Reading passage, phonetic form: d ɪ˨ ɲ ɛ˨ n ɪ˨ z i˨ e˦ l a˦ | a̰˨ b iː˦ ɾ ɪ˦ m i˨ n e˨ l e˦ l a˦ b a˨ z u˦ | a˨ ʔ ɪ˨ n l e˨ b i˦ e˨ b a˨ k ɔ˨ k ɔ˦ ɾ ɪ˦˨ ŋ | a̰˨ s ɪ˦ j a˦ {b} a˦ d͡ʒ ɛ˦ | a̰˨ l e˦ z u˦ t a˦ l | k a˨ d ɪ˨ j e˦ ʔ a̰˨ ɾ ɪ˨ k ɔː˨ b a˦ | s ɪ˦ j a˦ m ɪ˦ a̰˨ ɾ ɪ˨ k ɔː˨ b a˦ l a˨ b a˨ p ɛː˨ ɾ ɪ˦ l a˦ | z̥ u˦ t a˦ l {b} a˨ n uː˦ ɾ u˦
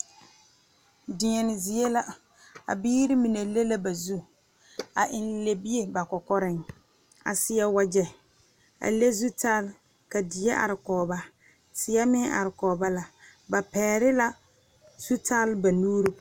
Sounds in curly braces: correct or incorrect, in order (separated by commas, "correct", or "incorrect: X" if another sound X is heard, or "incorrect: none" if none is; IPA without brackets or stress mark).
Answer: incorrect: w, correct